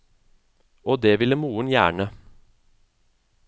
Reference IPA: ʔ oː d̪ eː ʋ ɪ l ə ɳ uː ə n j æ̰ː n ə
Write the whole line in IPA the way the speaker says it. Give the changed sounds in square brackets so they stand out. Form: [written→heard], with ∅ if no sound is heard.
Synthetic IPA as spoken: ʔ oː d̪ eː ʋ ɪ l ə [ɳ→m] uː ə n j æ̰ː [n→ɳ] ə